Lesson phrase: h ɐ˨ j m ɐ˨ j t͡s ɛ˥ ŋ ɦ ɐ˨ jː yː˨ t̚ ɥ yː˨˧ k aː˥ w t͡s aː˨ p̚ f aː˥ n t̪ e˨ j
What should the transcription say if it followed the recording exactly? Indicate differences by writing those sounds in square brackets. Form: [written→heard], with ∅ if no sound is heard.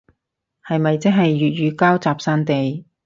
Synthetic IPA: h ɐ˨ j m ɐ˨ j t͡s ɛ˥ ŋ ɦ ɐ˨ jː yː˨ t̚ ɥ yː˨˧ k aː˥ w t͡s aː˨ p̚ [f→s] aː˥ n t̪ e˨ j